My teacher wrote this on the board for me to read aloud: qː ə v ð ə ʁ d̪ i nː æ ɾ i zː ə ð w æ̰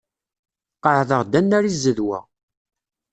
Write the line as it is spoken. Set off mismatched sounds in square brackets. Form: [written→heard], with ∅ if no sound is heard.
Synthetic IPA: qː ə [v→ʕ] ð ə ʁ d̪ [i→æ] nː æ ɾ i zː ə ð w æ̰